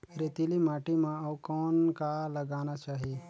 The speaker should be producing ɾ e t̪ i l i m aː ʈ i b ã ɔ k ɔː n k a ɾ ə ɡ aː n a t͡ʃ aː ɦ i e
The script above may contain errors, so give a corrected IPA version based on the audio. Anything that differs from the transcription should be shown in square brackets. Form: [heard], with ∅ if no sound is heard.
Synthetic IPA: ɾ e t̪ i l i m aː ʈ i [m] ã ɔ k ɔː n k a [l] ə ɡ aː n a t͡ʃ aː ɦ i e